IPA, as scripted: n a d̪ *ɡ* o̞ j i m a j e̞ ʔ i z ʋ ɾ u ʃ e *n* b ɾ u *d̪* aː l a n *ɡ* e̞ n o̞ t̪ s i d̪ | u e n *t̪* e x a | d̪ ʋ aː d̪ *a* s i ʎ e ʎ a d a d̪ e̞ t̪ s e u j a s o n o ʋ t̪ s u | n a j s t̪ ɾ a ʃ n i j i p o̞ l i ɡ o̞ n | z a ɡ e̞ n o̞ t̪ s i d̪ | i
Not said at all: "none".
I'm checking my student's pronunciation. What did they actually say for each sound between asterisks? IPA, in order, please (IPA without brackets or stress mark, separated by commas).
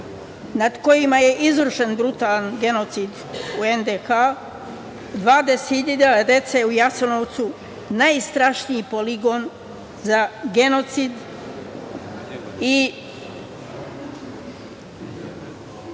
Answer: k, n, t̪, ɡ, d̪, e